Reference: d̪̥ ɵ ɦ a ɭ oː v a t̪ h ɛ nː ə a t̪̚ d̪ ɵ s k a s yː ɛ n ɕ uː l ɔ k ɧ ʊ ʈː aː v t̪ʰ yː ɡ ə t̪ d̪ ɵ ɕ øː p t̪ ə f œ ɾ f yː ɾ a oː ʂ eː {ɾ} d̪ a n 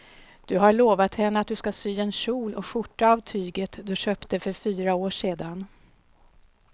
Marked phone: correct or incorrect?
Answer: incorrect